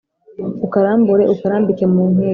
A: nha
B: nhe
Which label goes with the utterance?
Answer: B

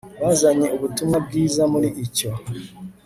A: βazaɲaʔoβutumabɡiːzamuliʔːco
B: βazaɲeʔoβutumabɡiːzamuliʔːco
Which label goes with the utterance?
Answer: B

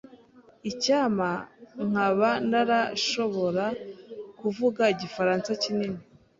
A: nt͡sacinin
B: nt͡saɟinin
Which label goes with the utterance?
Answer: A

